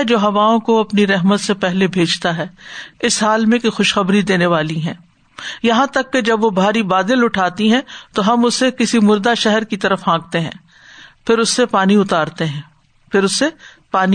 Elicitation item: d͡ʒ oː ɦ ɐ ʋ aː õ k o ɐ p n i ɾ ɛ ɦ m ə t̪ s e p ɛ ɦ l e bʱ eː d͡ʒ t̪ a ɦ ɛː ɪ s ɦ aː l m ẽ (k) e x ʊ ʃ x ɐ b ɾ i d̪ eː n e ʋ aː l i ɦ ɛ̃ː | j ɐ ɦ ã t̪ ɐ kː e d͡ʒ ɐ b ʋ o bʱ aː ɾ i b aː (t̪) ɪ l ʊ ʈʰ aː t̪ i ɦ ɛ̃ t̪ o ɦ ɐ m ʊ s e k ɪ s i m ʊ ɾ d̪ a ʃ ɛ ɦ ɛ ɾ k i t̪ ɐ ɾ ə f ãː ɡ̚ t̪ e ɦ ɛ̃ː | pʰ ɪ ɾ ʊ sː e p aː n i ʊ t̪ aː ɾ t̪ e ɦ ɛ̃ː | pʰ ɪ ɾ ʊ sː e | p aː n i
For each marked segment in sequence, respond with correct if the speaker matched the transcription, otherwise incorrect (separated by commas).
correct, incorrect